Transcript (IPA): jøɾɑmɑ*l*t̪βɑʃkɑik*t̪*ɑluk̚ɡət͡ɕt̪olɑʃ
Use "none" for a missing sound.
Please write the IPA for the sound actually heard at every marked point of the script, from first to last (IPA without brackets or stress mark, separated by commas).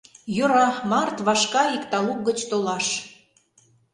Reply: r, t̪